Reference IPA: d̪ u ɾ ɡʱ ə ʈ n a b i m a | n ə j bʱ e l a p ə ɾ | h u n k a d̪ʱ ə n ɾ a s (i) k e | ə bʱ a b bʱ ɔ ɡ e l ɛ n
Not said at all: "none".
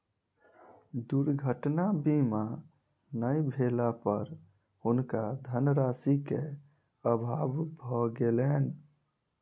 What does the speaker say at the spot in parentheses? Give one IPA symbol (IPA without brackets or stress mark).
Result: i